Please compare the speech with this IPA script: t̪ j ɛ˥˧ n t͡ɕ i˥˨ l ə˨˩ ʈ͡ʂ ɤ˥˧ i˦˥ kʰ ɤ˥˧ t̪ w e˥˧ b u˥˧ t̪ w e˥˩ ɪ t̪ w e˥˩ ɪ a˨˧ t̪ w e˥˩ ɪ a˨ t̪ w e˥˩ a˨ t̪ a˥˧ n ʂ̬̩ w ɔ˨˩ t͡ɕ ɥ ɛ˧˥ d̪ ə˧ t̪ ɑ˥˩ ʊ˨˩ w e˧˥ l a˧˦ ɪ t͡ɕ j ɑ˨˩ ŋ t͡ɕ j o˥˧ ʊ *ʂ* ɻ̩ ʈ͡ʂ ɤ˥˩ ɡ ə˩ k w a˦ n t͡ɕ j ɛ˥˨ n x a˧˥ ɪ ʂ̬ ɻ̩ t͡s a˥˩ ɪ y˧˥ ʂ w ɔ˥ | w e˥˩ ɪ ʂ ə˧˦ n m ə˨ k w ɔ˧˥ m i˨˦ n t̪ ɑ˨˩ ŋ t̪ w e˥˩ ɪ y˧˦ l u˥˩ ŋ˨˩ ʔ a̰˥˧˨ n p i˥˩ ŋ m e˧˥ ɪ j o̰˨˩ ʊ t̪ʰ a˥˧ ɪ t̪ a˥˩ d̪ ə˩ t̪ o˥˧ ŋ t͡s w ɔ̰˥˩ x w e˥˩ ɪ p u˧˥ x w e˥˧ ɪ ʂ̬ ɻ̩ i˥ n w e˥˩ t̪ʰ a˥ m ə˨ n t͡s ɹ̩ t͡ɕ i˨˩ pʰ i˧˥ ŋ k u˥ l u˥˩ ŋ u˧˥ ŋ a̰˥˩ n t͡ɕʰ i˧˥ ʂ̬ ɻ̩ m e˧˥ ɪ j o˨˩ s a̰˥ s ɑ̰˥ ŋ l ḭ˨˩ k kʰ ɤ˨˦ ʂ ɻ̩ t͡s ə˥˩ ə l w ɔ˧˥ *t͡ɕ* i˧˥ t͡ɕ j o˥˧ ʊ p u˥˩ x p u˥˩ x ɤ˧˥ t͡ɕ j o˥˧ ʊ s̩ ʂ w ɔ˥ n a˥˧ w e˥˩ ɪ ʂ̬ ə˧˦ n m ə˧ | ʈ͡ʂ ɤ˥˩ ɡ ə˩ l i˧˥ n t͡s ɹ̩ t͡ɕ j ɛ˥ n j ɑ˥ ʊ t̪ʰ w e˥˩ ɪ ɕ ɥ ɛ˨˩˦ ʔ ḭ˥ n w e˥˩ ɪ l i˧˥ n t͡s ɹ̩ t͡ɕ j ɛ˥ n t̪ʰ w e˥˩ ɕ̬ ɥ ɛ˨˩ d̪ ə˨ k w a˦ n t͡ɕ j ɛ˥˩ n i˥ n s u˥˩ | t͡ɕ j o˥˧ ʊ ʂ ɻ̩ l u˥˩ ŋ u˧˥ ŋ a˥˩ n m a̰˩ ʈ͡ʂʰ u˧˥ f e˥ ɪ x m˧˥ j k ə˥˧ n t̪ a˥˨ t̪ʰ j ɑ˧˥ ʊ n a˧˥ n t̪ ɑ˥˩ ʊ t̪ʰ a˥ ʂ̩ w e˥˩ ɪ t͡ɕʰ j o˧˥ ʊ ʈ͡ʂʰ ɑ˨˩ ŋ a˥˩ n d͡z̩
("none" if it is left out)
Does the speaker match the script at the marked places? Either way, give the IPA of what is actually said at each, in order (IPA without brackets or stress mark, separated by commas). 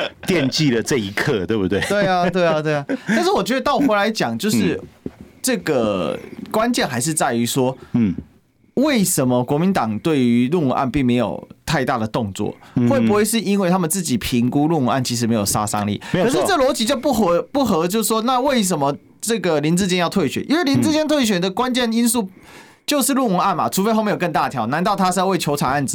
ʂ, t͡ɕ